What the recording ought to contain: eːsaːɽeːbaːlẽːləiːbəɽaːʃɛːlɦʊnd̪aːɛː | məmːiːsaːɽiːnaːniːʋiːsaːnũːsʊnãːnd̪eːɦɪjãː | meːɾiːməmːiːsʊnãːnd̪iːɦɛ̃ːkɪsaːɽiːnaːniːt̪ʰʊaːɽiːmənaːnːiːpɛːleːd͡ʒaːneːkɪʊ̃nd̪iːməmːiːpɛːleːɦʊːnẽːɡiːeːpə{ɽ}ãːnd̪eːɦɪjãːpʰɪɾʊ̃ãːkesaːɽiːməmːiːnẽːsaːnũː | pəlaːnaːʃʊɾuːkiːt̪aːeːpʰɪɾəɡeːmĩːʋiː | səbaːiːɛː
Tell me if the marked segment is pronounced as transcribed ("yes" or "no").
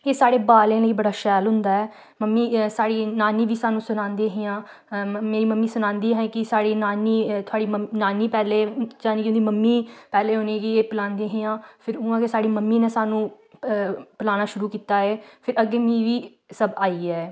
no